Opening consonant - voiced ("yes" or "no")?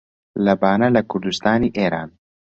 yes